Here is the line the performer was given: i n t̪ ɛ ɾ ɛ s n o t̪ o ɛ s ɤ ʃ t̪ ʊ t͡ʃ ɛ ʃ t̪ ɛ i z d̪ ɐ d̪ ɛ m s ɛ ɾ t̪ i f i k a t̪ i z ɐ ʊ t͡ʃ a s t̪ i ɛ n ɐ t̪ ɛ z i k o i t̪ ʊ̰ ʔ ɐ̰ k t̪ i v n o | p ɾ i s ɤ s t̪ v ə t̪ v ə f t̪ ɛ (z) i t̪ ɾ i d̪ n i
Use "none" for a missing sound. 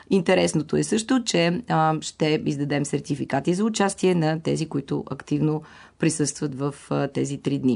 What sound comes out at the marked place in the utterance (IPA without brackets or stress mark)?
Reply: z